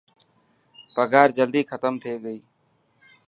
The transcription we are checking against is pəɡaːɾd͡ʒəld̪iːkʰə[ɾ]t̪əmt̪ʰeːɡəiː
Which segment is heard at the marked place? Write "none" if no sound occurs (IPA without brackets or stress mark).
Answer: none